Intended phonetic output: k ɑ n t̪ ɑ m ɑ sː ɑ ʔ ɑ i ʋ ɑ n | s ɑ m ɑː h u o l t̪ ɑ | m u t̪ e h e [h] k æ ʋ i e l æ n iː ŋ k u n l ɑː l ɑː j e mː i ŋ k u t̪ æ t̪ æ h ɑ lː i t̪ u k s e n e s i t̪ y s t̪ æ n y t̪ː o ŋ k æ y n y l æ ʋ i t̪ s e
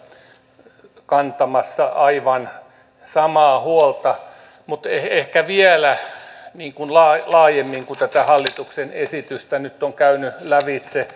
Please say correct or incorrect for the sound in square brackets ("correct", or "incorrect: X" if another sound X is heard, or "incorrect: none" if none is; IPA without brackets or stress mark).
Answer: correct